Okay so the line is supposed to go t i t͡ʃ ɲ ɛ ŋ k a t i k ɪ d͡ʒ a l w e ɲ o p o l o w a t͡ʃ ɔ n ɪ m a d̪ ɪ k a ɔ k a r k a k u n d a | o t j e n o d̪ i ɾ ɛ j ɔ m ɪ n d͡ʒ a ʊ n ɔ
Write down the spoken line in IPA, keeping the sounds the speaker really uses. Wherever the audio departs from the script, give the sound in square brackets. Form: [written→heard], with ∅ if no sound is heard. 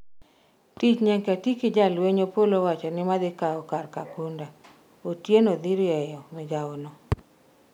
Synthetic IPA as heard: t i t͡ʃ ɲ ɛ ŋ k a t i k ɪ d͡ʒ a l w e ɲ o p o l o w a t͡ʃ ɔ n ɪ m a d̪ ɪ k a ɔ k a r k a k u n d a | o t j e n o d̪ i ɾ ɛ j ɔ m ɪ [n→∅] d͡ʒ a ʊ n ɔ